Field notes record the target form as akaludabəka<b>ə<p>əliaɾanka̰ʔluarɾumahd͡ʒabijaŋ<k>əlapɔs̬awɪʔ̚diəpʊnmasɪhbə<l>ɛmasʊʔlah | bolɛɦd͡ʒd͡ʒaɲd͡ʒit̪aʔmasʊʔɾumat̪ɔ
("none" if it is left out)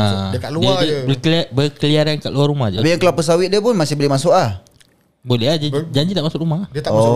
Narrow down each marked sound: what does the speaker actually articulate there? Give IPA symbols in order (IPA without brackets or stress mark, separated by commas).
b, k, k, l